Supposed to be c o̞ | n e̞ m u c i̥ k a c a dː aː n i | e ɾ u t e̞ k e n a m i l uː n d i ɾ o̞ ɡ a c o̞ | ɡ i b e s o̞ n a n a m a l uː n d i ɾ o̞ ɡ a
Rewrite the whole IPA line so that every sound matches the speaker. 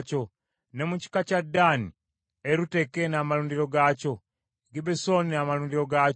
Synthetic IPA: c o̞ | n e̞ m u c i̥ k a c a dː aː n i | e ɾ u t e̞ k e n a m a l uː n d i ɾ o̞ ɡ a c o̞ | ɡ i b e s o̞ n i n a m a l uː n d i ɾ o̞ ɡ a